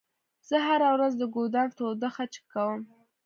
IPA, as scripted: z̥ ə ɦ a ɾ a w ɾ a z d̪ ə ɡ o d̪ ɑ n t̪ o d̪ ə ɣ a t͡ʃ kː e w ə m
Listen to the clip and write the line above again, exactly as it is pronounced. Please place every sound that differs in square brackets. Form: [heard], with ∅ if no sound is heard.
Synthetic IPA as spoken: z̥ ə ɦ a ɾ a w ɾ a z d̪ ə ɡ o d̪ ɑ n t̪ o d̪ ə [x] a t͡ʃ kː [a] w ə m